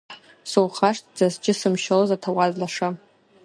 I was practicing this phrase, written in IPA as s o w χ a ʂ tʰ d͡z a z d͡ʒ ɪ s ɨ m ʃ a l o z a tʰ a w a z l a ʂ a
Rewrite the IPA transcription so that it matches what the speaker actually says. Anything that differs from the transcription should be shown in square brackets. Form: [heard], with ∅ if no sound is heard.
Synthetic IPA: s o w χ a ʂ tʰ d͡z a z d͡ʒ ɪ s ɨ m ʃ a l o z a tʰ a w a z l a ʂ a

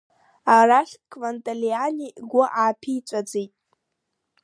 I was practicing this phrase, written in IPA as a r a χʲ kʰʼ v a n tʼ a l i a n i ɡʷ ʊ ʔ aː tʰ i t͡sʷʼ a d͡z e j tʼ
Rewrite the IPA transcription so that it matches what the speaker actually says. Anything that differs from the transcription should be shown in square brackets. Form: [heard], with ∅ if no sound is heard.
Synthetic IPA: a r a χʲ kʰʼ v a n tʼ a l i a n i ɡʷ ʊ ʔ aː [pʰ] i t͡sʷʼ a d͡z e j tʼ

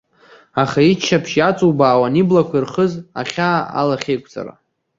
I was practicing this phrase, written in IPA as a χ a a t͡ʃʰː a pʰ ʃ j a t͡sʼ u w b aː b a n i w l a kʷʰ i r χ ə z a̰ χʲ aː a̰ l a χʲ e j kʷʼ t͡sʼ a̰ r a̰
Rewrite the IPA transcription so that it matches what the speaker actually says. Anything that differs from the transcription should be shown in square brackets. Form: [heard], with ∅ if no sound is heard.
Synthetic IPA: a χ a [i] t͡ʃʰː a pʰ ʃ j a t͡sʼ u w b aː [w] a n i [b] l a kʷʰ i r χ ə z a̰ χʲ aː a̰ l a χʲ e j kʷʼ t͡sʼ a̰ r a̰

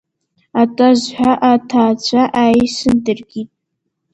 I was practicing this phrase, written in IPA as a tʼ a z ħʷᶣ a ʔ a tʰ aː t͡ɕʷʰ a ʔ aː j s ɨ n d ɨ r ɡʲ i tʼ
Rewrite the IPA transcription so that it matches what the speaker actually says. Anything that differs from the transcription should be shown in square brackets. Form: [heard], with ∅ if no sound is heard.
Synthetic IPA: a tʼ a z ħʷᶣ a ʔ a tʰ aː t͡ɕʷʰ a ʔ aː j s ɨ n d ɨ r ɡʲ i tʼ

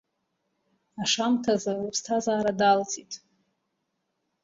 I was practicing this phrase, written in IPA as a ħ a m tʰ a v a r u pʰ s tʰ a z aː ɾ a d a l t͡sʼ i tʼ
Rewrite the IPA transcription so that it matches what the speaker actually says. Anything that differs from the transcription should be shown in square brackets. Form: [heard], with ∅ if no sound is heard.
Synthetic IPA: a [ʂ] a m tʰ a [z] a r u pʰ s tʰ a z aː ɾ a d a l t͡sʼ i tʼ

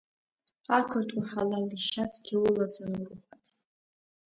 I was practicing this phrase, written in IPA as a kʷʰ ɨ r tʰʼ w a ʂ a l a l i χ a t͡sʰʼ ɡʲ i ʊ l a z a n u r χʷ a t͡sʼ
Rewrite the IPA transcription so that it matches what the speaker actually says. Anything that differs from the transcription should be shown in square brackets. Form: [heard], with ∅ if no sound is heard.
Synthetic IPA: a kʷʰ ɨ r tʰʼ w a [ħ] a l a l i [ʃ] a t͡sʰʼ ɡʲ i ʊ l a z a n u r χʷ a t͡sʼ

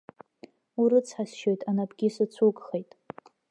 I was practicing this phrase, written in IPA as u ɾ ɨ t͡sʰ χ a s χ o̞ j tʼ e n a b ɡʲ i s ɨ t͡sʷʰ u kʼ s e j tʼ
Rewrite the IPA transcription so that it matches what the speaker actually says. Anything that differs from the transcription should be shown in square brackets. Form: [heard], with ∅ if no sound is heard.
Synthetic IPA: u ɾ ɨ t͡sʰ [ħ] a s [ʃ] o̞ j tʼ [a] n a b ɡʲ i s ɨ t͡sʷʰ u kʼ [χ] e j tʼ

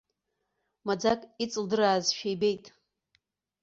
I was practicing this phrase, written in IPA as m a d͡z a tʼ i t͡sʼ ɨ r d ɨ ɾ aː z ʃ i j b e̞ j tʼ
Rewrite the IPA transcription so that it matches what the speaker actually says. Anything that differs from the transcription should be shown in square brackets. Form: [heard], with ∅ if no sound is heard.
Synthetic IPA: m a d͡z a [kʼ] i t͡sʼ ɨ [l] d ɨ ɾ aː z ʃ [e] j b e̞ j tʼ

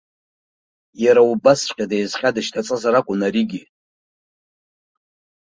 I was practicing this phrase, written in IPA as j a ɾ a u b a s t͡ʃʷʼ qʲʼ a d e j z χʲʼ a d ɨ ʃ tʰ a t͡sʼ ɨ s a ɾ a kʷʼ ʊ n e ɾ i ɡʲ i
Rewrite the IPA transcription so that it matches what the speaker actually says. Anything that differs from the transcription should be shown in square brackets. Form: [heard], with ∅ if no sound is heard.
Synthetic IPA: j a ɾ a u b a s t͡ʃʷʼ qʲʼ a d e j z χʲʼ a d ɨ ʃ tʰ a t͡sʼ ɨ [z] a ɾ a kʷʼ ʊ n [a] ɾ i ɡʲ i

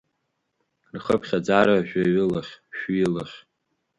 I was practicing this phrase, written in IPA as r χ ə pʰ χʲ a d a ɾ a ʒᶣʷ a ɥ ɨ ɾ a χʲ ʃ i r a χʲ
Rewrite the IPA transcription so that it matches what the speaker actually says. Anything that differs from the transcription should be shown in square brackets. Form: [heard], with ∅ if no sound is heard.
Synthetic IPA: r χ ə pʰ χʲ a [d͡z] a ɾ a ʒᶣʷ a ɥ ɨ [l] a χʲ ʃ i [l] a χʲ

